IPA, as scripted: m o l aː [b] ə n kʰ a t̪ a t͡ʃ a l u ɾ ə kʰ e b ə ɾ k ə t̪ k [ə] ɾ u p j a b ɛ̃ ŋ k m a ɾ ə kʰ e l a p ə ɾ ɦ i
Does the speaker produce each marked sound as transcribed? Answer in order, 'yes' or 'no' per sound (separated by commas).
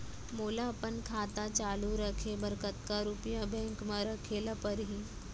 no, no